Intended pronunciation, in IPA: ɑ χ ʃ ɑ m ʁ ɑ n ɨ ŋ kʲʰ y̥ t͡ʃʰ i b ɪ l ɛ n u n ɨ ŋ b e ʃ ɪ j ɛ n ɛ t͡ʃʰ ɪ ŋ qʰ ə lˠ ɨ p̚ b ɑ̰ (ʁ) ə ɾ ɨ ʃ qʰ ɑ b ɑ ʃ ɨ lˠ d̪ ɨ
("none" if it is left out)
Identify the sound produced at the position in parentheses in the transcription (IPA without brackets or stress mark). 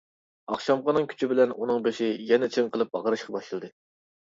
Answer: ʁ